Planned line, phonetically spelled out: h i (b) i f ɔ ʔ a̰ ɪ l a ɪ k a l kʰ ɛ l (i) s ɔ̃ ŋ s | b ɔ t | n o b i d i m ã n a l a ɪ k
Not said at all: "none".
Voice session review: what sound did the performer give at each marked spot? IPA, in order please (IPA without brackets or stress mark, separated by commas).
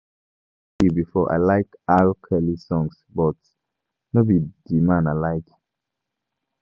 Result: b, i